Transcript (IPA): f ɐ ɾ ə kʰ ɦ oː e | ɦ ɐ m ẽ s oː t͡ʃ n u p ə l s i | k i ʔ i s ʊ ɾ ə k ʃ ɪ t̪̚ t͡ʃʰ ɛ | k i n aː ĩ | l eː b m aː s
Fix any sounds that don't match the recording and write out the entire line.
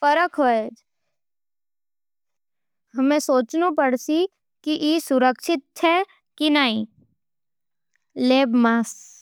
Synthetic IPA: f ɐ ɾ ə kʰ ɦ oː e | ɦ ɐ m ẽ s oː t͡ʃ n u p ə ɽ s i | k i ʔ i s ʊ ɾ ə k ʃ ɪ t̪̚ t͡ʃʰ ɛ | k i n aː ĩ | l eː b m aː s